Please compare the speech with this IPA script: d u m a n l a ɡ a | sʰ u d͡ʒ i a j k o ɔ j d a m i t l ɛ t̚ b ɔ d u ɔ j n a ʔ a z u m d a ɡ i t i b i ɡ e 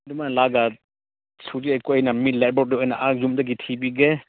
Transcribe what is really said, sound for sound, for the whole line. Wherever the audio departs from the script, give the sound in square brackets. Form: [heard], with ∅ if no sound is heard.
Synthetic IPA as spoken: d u m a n l a ɡ a | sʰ u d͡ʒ i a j k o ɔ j [n] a m i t l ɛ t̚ b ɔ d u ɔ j n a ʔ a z u m d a ɡ i [tʰ] i b i ɡ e